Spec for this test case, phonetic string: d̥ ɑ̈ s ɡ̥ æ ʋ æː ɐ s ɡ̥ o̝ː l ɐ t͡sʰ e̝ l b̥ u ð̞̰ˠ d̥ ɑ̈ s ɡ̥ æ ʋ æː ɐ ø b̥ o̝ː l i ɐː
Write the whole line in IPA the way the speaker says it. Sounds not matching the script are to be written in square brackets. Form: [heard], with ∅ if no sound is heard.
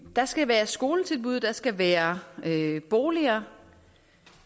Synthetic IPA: d̥ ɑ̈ s ɡ̥ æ ʋ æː ɐ s ɡ̥ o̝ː l [ə] t͡sʰ e̝ l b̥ u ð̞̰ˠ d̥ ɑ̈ s ɡ̥ æ ʋ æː ɐ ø b̥ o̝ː l i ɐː

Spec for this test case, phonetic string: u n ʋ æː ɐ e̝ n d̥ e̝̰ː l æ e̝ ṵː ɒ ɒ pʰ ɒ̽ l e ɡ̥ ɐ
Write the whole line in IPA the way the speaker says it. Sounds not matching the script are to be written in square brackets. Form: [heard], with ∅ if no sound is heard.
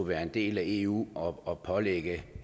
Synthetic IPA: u [∅] ʋ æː ɐ e̝ n d̥ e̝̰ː l æ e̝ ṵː ɒ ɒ pʰ ɒ̽ l e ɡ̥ [ə]

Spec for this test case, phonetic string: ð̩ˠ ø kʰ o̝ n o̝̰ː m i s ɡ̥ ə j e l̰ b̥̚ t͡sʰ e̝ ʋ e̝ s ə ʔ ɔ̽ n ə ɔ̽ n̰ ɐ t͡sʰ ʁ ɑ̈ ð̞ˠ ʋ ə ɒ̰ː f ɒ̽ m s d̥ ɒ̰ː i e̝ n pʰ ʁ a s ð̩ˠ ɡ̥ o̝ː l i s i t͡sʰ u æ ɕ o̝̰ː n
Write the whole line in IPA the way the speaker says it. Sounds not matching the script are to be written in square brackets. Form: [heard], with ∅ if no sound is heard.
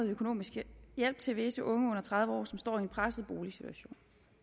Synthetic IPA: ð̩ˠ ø kʰ o̝ n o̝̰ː m i s ɡ̥ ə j e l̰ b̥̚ t͡sʰ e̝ ʋ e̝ s ə ʔ ɔ̽ [ŋ] ə ɔ̽ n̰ ɐ t͡sʰ ʁ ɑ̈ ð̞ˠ ʋ ə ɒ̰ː [s] ɒ̽ m s d̥ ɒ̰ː i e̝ n pʰ ʁ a s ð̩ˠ [b̥] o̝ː l i s i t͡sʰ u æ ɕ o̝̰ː n

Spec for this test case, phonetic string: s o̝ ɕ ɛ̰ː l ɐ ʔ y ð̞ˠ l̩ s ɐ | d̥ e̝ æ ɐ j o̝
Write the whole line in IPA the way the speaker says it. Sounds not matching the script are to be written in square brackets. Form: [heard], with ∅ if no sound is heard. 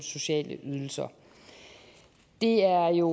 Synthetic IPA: s o̝ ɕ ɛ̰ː l [ə] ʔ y ð̞ˠ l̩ s ɐ | d̥ e̝ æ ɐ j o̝

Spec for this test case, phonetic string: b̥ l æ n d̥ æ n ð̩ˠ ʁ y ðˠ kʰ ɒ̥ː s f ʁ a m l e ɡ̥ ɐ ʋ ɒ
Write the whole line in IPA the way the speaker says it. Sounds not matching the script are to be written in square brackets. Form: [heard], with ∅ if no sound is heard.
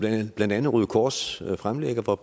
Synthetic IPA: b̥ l æ n d̥ æ n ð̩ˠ ʁ y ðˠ kʰ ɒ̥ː s f ʁ a m l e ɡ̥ ɐ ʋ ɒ

